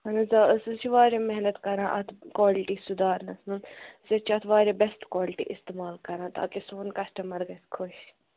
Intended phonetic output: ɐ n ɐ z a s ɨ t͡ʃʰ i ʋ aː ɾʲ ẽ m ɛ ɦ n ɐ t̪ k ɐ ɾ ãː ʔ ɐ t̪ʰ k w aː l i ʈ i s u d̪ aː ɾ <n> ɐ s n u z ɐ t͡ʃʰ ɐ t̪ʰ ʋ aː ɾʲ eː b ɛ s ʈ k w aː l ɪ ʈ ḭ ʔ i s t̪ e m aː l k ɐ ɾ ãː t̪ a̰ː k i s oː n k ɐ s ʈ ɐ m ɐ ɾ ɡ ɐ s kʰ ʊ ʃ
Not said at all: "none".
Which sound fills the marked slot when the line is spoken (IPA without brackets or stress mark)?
n